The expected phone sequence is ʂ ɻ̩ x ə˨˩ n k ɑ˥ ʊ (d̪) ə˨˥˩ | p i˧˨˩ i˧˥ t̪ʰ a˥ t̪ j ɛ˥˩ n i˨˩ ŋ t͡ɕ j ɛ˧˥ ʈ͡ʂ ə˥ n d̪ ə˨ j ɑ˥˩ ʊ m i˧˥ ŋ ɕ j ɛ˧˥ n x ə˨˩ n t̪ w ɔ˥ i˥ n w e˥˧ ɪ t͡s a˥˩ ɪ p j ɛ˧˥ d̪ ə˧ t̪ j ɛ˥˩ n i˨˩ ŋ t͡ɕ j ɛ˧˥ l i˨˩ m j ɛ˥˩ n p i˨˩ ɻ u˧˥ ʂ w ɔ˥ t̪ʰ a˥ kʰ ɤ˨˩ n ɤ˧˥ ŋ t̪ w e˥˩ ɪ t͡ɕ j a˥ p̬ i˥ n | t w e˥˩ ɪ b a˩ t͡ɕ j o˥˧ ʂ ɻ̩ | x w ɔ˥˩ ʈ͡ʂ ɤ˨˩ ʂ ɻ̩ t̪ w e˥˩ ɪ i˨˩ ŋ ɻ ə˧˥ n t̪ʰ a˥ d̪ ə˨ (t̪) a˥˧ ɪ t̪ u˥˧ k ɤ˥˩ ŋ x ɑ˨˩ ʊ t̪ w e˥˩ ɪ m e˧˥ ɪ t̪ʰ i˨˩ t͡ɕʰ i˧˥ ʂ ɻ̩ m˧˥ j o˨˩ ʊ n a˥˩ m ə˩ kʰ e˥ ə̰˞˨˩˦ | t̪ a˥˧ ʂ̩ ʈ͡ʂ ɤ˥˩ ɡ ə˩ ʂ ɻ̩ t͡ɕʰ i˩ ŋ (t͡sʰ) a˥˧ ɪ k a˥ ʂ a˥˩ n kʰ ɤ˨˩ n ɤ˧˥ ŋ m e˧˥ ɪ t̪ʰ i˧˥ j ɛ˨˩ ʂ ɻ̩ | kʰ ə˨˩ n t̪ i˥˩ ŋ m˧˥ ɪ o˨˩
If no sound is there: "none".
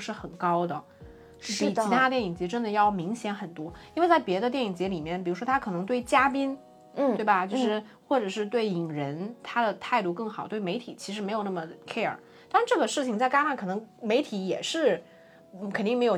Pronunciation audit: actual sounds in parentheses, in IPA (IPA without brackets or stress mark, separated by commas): d̪, t̪ʰ, t͡s